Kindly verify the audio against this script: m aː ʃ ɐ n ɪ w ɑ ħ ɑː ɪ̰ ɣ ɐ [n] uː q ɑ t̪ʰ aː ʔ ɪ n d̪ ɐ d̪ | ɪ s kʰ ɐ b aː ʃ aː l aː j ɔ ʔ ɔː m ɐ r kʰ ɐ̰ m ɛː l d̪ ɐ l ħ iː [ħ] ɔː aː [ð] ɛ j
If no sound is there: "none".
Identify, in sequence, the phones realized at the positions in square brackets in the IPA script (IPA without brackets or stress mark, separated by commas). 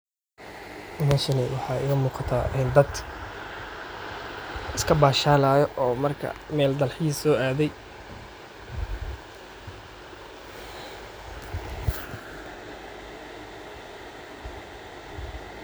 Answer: m, s, ð